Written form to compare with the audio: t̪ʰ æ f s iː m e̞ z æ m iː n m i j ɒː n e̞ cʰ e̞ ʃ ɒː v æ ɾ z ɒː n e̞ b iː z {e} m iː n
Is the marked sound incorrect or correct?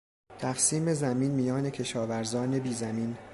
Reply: incorrect